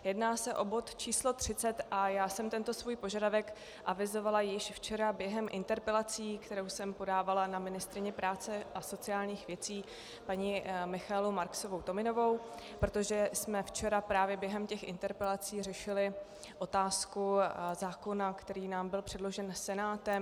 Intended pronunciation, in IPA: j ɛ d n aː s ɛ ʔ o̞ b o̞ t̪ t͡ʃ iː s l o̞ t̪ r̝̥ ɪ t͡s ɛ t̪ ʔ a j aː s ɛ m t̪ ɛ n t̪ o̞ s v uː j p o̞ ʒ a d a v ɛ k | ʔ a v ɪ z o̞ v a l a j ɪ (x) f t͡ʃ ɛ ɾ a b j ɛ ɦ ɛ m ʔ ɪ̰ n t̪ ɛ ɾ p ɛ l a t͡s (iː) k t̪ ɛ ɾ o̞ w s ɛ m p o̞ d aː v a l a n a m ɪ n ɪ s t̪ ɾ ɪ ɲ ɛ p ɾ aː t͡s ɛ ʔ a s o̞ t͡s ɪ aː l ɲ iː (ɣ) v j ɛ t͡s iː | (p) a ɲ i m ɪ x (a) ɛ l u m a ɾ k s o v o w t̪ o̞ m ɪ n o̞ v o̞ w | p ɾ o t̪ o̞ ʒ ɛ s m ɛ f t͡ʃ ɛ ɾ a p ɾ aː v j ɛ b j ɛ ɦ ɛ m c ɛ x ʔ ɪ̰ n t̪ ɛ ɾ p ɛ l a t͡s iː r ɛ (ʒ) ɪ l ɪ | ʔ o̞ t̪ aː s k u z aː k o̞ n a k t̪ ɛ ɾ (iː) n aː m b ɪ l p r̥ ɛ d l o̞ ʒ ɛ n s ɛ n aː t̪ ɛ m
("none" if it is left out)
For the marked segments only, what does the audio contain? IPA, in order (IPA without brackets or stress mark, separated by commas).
ʃ, iː, x, p, a, ʃ, iː